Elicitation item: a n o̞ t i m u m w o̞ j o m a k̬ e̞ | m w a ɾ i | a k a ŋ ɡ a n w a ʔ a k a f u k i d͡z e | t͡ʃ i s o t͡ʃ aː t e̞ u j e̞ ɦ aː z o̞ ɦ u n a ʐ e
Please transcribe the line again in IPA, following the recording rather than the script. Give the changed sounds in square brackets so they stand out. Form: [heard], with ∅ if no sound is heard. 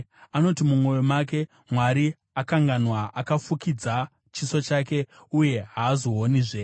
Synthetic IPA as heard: a n o̞ t i m u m w o̞ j o m a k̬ e̞ | m w a ɾ i | a k a ŋ ɡ a n w a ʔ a k a f u k i d͡z [a] | t͡ʃ i s o t͡ʃ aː [k] e̞ u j e̞ ɦ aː z o̞ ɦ [o] n [i] ʐ e